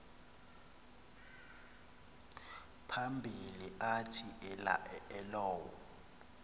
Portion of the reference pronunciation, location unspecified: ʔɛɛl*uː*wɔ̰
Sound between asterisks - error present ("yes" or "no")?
yes